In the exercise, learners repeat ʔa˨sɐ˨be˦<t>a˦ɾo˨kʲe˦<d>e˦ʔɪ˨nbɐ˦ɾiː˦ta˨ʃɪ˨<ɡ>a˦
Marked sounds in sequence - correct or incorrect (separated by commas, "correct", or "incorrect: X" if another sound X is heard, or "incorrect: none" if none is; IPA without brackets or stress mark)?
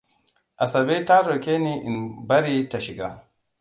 correct, incorrect: n, correct